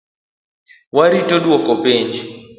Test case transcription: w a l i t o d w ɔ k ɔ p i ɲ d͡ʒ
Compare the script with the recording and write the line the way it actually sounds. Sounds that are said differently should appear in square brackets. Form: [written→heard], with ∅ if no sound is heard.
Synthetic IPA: w a [l→ɾ] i t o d w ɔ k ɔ p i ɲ d͡ʒ